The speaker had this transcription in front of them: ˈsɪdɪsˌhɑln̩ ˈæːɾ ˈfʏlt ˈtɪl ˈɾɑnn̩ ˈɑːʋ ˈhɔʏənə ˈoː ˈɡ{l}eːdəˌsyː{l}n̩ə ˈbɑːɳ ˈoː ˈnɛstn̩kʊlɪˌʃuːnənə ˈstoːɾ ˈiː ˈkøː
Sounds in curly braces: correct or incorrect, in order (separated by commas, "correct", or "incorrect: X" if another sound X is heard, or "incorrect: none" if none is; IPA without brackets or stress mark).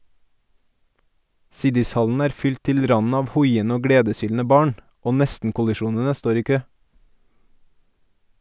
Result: incorrect: ɽ, correct